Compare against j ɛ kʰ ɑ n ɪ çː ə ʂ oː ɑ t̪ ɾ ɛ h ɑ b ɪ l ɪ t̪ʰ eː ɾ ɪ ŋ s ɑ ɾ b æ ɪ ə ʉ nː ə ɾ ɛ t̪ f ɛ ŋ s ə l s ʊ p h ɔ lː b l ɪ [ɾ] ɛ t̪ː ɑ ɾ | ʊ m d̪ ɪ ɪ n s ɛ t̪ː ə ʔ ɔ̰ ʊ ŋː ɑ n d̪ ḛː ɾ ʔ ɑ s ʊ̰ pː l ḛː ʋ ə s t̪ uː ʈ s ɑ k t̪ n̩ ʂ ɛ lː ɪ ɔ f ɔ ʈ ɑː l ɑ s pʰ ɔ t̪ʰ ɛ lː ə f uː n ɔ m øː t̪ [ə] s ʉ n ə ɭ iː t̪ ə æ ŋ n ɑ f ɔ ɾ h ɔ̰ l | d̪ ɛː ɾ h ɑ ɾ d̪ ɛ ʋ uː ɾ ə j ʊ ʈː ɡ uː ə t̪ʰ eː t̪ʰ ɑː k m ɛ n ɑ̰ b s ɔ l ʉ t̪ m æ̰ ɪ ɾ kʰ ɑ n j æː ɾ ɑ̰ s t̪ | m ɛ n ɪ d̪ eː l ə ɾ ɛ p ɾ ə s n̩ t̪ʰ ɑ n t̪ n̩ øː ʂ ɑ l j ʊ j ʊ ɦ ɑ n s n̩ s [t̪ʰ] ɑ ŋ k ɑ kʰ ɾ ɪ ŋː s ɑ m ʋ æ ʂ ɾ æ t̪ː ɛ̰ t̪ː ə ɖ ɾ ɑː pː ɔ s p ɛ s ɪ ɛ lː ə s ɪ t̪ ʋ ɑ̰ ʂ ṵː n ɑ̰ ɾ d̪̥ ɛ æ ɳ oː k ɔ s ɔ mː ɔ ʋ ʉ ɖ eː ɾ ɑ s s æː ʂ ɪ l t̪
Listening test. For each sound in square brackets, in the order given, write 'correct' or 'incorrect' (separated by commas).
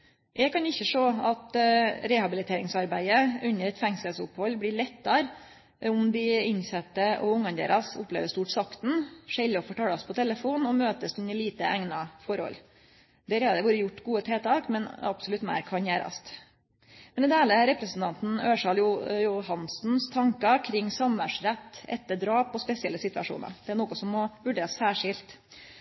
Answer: incorrect, correct, correct